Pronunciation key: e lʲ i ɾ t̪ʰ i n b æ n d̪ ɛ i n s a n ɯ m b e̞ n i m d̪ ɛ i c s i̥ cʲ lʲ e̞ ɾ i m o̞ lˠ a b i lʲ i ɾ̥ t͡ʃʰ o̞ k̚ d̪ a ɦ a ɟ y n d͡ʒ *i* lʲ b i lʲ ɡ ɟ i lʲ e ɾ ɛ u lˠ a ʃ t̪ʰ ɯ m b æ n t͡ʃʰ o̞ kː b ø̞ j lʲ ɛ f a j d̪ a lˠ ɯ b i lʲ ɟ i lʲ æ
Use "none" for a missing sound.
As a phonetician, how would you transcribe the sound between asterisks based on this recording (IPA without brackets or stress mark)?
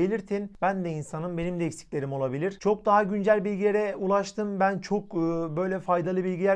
æ